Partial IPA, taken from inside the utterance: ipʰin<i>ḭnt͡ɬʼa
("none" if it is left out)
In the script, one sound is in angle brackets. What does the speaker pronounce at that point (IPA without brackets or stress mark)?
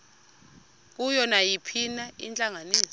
a